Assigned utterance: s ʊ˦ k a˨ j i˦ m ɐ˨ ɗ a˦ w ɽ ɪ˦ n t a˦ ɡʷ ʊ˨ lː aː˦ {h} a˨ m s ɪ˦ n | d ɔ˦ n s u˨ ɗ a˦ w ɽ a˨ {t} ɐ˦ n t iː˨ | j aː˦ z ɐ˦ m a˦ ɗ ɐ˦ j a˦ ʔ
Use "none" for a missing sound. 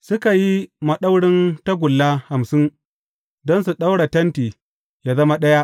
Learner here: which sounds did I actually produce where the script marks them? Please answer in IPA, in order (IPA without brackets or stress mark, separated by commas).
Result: h, t